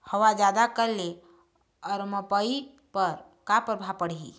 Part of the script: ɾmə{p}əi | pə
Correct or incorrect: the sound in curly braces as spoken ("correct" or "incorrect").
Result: correct